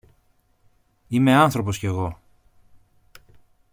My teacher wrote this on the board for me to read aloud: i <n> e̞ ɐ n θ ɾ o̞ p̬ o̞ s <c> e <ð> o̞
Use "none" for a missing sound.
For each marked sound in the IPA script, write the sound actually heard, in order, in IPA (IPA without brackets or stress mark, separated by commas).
m, c, ɣ